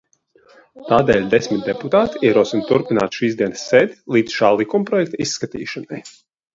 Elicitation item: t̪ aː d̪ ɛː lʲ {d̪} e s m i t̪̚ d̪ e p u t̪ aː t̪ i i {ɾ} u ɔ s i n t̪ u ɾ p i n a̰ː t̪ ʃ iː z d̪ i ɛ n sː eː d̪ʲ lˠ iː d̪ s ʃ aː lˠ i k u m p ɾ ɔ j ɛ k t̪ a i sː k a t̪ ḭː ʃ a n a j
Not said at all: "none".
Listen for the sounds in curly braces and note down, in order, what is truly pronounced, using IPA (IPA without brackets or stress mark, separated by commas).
d̪, ɾ